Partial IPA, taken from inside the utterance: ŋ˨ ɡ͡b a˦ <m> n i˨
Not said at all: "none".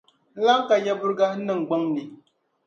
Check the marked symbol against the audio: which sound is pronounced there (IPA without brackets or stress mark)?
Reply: ŋ